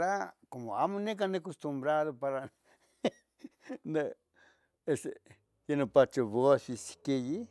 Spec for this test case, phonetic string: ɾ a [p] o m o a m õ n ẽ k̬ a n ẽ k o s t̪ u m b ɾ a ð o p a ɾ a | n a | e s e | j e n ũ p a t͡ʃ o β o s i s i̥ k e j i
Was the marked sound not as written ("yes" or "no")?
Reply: yes